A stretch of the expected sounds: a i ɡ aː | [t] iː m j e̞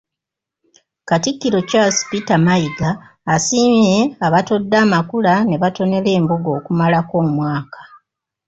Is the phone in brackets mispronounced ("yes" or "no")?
yes